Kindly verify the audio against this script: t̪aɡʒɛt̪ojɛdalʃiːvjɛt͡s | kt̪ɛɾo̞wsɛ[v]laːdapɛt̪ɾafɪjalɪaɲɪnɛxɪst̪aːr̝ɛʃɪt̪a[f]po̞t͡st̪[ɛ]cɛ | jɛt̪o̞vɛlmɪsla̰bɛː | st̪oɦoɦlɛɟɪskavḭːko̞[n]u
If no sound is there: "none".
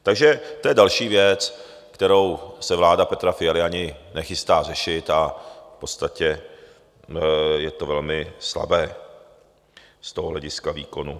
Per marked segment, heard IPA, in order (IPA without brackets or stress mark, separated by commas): v, f, a, n